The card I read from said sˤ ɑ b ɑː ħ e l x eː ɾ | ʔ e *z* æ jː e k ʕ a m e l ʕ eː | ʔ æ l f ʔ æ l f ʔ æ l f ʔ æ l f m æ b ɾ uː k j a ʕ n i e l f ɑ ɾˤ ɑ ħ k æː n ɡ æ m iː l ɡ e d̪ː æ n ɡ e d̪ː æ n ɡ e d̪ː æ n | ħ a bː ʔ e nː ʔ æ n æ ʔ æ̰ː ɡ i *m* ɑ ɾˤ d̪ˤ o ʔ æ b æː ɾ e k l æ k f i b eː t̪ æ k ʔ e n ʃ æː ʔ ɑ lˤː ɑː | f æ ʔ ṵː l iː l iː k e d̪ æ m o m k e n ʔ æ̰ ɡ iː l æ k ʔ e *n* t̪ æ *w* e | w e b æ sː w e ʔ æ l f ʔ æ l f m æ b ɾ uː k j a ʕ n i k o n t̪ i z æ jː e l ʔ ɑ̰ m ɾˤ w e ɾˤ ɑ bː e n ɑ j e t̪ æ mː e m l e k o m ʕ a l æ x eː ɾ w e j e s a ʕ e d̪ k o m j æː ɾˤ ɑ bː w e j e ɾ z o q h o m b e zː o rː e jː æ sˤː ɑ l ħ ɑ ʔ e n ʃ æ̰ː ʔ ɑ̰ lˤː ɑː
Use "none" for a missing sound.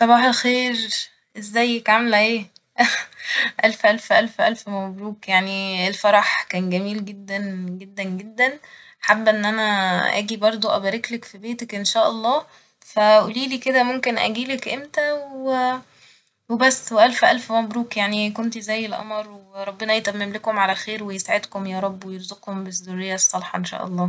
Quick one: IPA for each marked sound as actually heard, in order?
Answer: zː, b, m, w

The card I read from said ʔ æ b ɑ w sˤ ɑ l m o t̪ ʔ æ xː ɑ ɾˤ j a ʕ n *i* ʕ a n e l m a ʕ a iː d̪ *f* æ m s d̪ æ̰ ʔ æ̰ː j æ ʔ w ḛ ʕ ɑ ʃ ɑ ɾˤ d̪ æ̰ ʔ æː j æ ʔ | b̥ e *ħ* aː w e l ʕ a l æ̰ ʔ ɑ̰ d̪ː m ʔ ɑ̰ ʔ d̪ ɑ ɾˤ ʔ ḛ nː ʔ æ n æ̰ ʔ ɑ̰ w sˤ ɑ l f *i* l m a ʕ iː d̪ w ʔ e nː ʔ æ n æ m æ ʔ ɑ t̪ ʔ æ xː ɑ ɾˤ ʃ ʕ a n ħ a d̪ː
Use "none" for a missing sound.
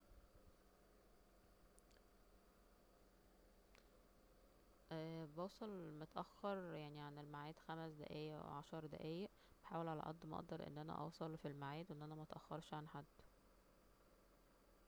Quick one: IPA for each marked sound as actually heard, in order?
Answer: i, x, ħ, i

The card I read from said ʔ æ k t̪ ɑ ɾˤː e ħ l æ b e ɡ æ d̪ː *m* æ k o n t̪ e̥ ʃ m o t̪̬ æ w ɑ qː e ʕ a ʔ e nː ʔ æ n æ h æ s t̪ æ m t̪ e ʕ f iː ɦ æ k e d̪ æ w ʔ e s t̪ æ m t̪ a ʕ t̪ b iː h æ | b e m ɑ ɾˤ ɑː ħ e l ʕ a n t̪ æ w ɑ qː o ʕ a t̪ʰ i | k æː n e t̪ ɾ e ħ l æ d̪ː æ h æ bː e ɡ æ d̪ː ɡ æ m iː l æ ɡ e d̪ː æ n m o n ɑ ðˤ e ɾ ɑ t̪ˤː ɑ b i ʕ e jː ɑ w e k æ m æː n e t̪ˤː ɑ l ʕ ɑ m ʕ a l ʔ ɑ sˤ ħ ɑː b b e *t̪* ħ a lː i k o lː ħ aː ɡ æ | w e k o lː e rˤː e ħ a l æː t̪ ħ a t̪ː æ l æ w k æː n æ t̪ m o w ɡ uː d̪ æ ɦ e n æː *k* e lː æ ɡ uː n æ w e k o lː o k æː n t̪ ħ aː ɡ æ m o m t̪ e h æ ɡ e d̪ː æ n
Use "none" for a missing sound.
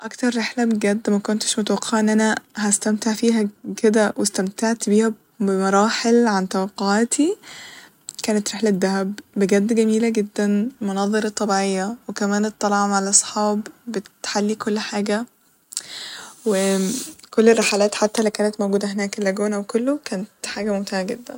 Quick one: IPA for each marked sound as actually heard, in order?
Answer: m, t̪, k

